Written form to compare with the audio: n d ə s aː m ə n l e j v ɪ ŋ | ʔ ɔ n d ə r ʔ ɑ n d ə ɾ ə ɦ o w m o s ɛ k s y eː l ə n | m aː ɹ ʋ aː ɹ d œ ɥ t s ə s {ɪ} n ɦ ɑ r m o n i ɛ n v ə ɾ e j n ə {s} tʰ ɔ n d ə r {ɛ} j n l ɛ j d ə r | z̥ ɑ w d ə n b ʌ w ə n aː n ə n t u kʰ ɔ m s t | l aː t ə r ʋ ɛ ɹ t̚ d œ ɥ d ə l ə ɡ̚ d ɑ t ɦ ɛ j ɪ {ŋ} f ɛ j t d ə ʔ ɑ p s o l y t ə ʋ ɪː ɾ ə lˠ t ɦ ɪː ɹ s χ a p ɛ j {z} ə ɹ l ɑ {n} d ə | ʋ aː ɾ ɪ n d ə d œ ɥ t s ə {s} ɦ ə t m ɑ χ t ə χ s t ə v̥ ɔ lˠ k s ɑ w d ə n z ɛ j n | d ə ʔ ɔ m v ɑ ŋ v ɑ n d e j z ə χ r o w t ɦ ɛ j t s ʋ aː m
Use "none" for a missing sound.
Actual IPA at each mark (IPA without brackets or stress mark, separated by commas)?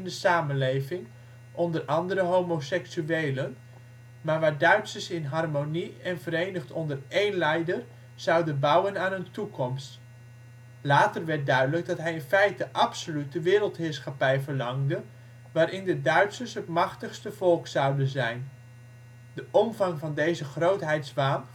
ɪ, χ, e, n, v, ŋ, s